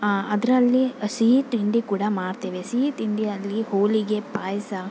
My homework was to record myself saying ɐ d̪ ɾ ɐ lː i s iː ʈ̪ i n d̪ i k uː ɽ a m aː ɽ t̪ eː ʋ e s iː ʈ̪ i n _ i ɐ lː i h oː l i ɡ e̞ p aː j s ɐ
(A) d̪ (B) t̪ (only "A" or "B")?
A